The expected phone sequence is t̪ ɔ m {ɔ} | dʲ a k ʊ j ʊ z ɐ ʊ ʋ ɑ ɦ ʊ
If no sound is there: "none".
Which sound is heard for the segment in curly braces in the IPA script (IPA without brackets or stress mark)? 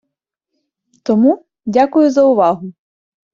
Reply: u